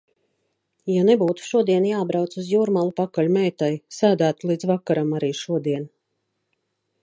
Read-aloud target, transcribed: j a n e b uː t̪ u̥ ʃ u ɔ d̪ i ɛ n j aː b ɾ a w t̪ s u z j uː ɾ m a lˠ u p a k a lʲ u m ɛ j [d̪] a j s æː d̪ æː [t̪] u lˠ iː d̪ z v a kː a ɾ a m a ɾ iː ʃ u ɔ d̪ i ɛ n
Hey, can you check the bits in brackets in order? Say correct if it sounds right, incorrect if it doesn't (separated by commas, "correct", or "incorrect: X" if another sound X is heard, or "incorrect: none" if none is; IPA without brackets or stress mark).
incorrect: t̪, correct